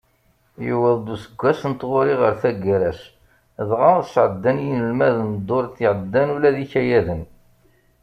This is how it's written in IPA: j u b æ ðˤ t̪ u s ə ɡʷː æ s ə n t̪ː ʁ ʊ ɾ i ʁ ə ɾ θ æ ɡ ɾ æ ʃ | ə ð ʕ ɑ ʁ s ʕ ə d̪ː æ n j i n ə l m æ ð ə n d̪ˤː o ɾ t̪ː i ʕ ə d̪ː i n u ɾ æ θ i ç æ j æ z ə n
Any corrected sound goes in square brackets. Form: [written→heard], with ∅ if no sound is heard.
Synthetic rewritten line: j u [b→w] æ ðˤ [t̪→d̪] u s ə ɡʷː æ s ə n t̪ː ʁ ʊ ɾ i ʁ ə ɾ θ æ ɡ ɾ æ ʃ | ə ð [ʕ→ʁ] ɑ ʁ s ʕ ə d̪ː æ n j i n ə l m æ ð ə n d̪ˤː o ɾ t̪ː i ʕ ə d̪ː [i→æ] n u [ɾ→l] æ [θ→ð] i ç æ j æ [z→ð] ə n